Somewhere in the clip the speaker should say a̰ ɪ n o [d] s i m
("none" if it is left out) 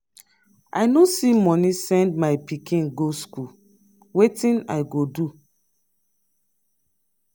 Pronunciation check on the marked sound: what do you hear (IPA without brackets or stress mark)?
none